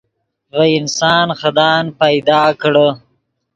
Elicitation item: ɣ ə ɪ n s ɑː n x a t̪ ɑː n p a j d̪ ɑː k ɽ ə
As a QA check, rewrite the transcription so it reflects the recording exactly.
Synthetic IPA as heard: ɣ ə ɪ n s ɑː n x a d̪ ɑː n p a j d̪ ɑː k ɽ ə